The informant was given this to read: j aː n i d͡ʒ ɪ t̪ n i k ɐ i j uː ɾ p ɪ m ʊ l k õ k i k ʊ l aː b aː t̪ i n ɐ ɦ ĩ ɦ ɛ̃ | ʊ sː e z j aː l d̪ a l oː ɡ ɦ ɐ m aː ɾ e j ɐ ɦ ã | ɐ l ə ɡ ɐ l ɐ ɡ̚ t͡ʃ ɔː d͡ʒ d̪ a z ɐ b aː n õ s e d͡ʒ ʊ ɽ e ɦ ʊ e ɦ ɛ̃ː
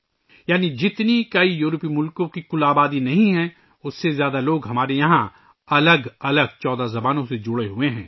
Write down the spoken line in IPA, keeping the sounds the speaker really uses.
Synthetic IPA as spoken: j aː n i d͡ʒ ɪ t̪ n i k ɐ i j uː ɾ p i m ʊ l k õ k i k ʊ l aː b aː d̪ i n ɐ ɦ ĩ ɦ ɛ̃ | ʊ sː e z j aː d̪ a l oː ɡ ɦ ɐ m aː ɾ e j ɐ ɦ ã | ɐ l ə ɡ ɐ l ə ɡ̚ t͡ʃ ɔː d̪ a z ɐ b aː n õ s e d͡ʒ ʊ ɽ e ɦ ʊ e ɦ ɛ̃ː

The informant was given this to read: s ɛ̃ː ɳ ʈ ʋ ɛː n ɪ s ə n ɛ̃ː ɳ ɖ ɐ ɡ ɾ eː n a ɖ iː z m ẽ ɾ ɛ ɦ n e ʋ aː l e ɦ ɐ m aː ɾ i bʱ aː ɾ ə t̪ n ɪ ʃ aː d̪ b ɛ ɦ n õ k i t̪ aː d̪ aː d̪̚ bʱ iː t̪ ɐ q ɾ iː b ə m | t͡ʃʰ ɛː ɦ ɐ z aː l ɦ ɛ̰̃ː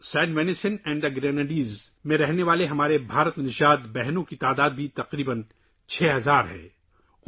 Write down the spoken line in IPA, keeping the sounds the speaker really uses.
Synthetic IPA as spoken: s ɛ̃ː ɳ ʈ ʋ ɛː n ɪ s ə n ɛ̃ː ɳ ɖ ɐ ɡ ɾ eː n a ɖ iː z m ẽ ɾ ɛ ɦ n e ʋ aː l e ɦ ɐ m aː ɾ e bʱ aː ɾ ə t̪ n ɪ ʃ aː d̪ b ɛ ɦ n õ k i t̪ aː d̪ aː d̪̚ bʱ i t̪ ɐ q ɾ iː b ə n | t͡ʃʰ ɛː ɦ ɐ z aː ɾ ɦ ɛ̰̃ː

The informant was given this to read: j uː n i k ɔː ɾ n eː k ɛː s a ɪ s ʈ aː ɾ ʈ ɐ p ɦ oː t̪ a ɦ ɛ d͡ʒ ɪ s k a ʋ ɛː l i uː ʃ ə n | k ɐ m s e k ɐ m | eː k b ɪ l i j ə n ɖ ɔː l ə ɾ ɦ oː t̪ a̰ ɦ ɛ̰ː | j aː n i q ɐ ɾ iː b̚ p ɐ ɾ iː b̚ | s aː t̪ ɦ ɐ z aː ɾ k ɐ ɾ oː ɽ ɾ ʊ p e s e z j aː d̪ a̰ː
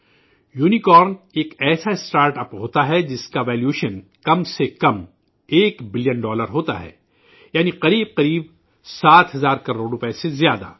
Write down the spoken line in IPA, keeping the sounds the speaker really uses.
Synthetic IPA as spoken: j uː n i k ɔː ɾ n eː k ɛː s a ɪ s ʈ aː ɾ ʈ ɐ p ɦ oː t̪ a ɦ ɛ d͡ʒ ɪ s k a ʋ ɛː l j uː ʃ ə n | k ɐ m s e k ɐ m | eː k b ɪ l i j ə n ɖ ɔː l ə ɾ ɦ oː t̪ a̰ ɦ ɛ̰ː | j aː n i q ɐ ɾ iː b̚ q ɐ ɾ iː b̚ | s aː t̪ ɦ ɐ z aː ɾ k ɐ ɾ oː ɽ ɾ ʊ p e s e z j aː d̪ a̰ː

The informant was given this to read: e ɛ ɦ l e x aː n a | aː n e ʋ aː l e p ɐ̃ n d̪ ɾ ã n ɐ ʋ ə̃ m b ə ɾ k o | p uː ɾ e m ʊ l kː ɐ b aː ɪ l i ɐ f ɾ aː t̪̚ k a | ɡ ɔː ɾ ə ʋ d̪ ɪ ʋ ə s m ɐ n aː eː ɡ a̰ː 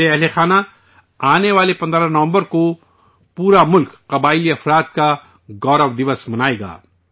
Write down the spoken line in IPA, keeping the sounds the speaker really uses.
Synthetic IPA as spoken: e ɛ ɦ l e x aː n a | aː n e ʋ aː l e p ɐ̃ n d̪ ɾ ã n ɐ ʋ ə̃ m b ə ɾ k o | p uː ɾ a m ʊ l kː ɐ b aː ɪ l i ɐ f ɾ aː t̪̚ k a | ɡ ɔː ɾ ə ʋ d̪ ɪ ʋ ə s m ɐ n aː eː ɡ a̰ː

